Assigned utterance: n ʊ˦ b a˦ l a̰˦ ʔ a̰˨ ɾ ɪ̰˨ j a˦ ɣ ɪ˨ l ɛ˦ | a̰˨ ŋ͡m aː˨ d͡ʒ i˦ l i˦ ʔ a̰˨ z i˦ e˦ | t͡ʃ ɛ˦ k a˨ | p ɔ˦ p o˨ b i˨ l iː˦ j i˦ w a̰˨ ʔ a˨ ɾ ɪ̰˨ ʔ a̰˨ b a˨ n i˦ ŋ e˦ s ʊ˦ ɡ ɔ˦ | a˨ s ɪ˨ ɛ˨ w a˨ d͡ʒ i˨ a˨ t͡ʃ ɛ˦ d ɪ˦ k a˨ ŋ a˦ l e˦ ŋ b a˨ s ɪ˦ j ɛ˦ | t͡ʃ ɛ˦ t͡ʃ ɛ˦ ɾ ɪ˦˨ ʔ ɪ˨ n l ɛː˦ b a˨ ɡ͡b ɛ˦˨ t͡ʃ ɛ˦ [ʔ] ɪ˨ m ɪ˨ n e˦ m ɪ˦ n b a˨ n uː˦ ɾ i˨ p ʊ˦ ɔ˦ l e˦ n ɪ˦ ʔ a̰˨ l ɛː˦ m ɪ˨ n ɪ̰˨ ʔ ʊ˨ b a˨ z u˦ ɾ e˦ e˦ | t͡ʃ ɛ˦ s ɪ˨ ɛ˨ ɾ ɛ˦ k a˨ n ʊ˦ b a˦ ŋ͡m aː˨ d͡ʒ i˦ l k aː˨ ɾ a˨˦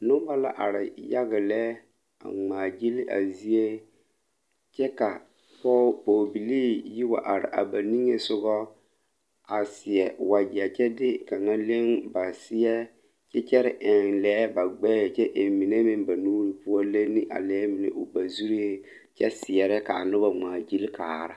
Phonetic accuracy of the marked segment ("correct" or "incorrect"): correct